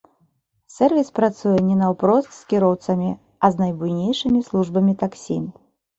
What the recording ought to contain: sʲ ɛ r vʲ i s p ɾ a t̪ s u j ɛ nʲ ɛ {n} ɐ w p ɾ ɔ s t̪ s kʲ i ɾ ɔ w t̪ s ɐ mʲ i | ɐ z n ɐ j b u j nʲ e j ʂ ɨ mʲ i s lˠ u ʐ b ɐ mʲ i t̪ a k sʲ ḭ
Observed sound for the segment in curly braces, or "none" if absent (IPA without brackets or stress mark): n